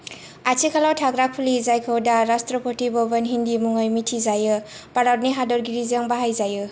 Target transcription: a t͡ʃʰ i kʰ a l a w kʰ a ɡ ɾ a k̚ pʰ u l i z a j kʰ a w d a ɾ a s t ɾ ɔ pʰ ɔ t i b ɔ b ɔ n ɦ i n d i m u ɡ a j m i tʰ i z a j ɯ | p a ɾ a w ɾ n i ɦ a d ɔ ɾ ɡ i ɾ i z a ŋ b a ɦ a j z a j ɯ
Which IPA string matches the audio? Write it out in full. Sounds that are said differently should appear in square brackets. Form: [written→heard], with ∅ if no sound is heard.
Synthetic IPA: a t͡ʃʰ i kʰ a l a w [kʰ→tʰ] a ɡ ɾ a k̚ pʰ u l i z a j kʰ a w d a ɾ a s t ɾ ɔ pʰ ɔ t i b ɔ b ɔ n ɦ i n d i m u [ɡ→ŋ] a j m i tʰ i z a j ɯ | p a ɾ a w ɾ n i ɦ a d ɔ ɾ ɡ i ɾ i z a ŋ b a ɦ a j z a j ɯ